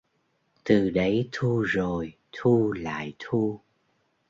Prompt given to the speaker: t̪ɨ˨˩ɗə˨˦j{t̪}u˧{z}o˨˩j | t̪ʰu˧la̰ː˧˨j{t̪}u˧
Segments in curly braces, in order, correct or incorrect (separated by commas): incorrect, correct, incorrect